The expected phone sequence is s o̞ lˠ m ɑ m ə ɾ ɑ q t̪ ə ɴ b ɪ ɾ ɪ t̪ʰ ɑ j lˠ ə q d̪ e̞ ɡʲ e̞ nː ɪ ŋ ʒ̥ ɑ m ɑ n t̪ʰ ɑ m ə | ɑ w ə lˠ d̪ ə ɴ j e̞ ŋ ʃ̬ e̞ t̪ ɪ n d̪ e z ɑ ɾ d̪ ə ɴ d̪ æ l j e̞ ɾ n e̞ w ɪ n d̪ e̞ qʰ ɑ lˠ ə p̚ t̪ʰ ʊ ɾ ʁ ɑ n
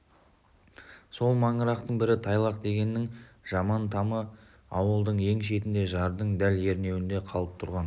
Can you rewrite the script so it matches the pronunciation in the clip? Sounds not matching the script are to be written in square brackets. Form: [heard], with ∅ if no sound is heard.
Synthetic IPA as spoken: s o̞ lˠ m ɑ [ɴ] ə ɾ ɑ q t̪ ə ɴ b ɪ ɾ ɪ t̪ʰ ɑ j lˠ [ɑ] q d̪ e̞ ɡʲ e̞ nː ɪ ŋ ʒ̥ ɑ m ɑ n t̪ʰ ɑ m ə | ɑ w ə lˠ d̪ ə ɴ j e̞ ŋ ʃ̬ e̞ t̪ ɪ n d̪ e [ʒ] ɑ ɾ d̪ ə ɴ d̪ æ l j e̞ ɾ n e̞ w ɪ n d̪ e̞ qʰ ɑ lˠ ə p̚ t̪ʰ ʊ ɾ ʁ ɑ n